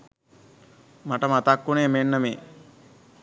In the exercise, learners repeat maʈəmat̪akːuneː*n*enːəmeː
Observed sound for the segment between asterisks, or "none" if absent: m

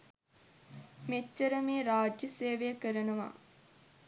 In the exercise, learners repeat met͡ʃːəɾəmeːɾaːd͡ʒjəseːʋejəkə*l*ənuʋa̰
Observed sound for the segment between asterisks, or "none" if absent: ɾ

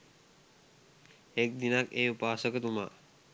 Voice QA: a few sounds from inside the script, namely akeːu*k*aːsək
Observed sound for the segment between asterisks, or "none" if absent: p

